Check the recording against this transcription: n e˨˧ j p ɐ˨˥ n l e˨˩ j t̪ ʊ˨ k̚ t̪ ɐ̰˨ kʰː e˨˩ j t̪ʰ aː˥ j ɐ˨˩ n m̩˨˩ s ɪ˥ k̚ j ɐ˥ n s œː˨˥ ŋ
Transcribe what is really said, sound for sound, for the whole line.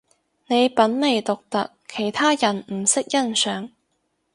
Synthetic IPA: n e˨˧ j p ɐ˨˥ n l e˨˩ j t̪ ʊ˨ k̚ t̪ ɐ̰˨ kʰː e˨˩ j t̪ʰ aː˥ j ɐ˨˩ n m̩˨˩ s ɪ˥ k̚ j ɐ˥ n s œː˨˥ ŋ

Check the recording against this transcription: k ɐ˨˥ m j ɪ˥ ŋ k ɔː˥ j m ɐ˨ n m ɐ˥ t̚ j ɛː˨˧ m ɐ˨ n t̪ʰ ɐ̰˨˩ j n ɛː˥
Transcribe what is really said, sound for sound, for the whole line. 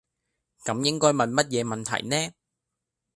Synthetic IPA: k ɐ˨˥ m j ɪ˥ ŋ k ɔː˥ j m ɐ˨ n m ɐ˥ t̚ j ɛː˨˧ m ɐ˨ n t̪ʰ ɐ̰˨˩ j n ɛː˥

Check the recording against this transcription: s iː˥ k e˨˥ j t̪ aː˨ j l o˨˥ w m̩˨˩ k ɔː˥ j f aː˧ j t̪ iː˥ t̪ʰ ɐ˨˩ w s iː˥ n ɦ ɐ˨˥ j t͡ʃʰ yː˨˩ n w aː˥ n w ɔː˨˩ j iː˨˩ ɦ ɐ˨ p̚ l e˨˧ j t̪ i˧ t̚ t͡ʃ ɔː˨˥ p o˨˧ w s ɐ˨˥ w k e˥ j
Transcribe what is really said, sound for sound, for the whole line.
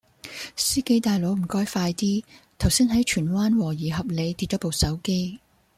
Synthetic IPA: s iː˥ k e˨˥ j t̪ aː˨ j l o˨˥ w m̩˨˩ k ɔː˥ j f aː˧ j t̪ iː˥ t̪ʰ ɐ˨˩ w s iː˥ n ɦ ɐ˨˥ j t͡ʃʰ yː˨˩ n w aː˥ n w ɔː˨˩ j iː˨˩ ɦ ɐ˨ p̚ l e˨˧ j t̪ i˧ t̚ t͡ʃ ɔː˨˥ p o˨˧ w s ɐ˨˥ w k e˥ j

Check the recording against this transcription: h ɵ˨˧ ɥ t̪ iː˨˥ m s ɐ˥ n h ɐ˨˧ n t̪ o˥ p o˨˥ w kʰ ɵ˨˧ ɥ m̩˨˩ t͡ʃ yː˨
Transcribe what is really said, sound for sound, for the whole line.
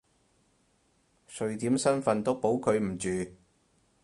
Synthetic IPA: s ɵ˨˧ ɥ t̪ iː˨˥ m s ɐ˥ n f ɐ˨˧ n t̪ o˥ p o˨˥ w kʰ ɵ˨˧ ɥ m̩˨˩ t͡ʃ yː˨

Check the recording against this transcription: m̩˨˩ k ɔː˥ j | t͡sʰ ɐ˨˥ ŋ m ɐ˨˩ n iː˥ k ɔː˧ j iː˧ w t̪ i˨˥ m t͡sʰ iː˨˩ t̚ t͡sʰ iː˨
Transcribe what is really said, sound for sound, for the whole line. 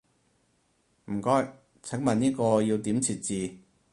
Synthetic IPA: m̩˨˩ k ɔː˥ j | t͡sʰ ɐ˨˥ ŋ m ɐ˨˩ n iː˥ k ɔː˧ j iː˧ w t̪ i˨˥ m t͡sʰ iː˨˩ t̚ t͡s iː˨

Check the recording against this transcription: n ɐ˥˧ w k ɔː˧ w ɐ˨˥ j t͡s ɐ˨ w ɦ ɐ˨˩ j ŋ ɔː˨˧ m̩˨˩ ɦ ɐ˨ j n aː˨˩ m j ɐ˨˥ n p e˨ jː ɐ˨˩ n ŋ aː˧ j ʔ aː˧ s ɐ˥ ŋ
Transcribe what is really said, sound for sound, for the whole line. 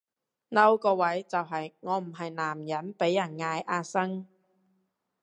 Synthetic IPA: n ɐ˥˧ w k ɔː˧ w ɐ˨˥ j t͡s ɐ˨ w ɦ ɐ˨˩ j ŋ ɔː˨˧ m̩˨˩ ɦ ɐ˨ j n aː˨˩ m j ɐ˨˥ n p e˨˥ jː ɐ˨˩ n ŋ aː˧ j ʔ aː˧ s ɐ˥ ŋ

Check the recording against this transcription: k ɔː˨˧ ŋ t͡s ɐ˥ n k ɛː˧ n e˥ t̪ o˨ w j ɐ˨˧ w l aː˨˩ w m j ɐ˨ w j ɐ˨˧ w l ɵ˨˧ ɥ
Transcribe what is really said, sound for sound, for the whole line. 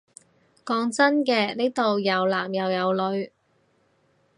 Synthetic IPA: k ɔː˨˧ ŋ t͡s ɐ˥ n k ɛː˧ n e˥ t̪ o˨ w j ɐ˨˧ w l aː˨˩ m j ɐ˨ w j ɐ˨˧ w l ɵ˨˧ ɥ

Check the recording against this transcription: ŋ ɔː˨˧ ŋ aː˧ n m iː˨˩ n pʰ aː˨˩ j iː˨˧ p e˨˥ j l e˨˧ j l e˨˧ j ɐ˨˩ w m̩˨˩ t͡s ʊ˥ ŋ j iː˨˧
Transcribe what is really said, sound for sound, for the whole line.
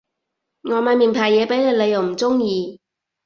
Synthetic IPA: ŋ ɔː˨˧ m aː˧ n m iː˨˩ n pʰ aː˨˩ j ɛː˨˧ p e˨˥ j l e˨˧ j l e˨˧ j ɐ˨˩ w m̩˨˩ t͡s ʊ˥ ŋ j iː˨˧

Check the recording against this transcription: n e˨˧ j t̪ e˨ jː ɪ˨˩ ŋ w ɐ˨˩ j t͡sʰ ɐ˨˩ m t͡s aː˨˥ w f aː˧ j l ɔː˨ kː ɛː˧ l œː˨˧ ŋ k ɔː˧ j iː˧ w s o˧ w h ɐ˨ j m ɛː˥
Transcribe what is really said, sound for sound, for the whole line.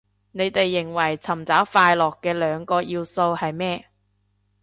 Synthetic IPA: n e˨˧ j t̪ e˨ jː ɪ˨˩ ŋ w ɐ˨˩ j t͡sʰ ɐ˨˩ m t͡s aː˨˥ w f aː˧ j l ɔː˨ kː ɛː˧ l œː˨˧ ŋ k ɔː˧ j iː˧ w s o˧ w h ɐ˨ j m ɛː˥

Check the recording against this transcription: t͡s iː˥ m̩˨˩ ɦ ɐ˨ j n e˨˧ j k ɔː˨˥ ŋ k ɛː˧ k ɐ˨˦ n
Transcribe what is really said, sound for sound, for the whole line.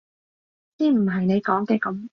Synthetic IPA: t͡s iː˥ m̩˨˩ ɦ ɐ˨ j n e˨˧ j k ɔː˨˥ ŋ k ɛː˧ k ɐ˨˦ m

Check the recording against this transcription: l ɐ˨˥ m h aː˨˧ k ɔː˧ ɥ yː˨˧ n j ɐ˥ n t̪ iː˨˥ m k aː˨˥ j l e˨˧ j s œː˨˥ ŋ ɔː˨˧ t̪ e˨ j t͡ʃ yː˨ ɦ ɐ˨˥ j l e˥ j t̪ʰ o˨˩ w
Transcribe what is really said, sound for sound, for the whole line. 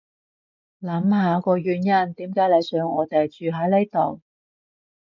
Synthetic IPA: l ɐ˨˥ m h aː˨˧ k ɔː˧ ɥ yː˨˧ n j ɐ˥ n t̪ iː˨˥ m k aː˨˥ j l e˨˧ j s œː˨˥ ŋ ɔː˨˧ t̪ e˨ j t͡ʃ yː˨ ɦ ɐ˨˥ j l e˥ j t̪ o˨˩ w

